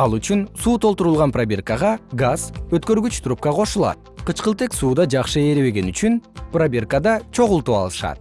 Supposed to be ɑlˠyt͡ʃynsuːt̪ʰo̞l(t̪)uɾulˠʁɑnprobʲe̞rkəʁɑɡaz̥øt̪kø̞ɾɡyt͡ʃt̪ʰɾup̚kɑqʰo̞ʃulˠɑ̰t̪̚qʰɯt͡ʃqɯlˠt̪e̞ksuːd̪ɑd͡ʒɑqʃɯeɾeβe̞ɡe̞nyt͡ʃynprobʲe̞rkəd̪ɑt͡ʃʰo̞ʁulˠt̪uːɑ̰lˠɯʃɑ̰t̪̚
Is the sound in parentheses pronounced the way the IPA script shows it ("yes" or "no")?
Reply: yes